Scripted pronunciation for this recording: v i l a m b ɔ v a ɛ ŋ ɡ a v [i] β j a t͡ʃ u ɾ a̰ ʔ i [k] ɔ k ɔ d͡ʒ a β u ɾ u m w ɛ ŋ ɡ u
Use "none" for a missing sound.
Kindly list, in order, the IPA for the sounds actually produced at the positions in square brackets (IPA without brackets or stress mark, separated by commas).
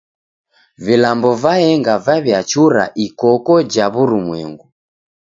a, k